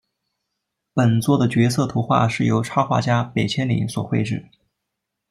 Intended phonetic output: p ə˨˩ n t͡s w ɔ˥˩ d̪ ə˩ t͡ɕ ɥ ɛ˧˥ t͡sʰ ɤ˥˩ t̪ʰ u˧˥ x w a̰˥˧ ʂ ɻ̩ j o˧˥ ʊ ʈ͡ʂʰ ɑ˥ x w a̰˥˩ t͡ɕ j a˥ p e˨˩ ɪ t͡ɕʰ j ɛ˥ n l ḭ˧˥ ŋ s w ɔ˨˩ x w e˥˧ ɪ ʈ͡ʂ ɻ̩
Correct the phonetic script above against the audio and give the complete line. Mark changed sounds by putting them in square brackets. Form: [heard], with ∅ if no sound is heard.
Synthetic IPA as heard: p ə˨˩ n t͡s w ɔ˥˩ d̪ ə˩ t͡ɕ ɥ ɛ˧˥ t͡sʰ ɤ˥˩ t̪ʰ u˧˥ x w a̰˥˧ ʂ ɻ̩ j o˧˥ ʊ ʈ͡ʂʰ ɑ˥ x w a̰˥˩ t͡ɕ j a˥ p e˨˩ ɪ t͡ɕʰ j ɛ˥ n l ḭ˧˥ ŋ s w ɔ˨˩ x w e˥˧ ɪ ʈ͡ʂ ɻ̩